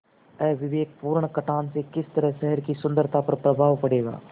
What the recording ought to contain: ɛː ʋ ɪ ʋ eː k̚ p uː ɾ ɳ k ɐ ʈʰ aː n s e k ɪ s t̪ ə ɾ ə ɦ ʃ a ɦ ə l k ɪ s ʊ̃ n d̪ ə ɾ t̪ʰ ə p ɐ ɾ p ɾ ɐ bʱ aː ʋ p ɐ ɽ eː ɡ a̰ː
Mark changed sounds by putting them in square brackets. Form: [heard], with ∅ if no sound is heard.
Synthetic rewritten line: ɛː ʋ ɪ ʋ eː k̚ p uː ɾ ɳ k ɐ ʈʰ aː n s e k ɪ s t̪ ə ɾ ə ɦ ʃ [ɛ] ɦ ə [ɾ] k [i] s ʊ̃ n d̪ ə ɾ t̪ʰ [a] p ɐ ɾ p ɾ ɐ bʱ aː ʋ p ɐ ɽ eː ɡ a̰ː